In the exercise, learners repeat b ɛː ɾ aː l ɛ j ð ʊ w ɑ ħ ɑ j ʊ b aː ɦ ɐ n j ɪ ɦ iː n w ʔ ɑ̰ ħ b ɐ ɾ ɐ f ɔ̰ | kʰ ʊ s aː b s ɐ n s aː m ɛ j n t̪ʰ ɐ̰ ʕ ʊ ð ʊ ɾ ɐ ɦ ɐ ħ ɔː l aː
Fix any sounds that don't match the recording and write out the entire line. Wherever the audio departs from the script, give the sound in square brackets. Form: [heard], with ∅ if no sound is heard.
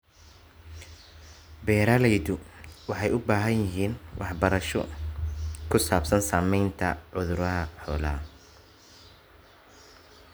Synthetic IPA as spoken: b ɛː ɾ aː l ɛ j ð ʊ w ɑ ħ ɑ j ʊ b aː ɦ ɐ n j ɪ ɦ iː n w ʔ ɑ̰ ħ b ɐ ɾ ɐ [ʃ] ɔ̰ | kʰ ʊ s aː b s ɐ n s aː m ɛ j n t̪ʰ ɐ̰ ʕ ʊ ð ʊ ɾ ɐ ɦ ɐ ħ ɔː l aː